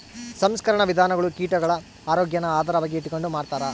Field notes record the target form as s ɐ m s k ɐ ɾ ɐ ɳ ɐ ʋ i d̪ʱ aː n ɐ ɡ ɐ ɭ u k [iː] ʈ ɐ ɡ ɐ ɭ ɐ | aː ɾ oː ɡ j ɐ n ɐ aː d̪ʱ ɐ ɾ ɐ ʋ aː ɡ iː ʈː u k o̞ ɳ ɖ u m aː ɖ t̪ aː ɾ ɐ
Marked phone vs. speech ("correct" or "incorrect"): correct